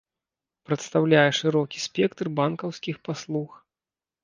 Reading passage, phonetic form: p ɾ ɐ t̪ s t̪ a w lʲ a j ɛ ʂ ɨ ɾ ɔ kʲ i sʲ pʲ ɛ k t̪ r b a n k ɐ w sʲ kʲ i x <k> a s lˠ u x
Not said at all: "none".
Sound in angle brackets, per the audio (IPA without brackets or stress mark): p